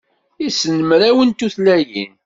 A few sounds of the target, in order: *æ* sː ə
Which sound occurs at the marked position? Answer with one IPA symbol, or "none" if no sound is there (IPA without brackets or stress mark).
i